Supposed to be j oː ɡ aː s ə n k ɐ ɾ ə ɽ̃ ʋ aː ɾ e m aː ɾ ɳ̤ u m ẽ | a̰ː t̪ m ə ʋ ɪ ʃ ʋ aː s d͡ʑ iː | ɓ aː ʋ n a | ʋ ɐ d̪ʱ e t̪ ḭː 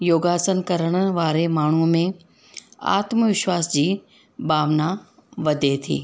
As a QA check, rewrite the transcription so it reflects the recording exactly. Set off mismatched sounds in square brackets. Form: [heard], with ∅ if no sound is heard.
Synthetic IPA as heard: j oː ɡ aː s ə n k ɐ ɾ ə ɽ̃ ʋ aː ɾ e m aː [∅] ɳ̤ u m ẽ | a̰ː t̪ m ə ʋ ɪ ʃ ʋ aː s d͡ʑ iː | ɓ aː ʋ n a | ʋ ɐ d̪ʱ e [t̪ʰ] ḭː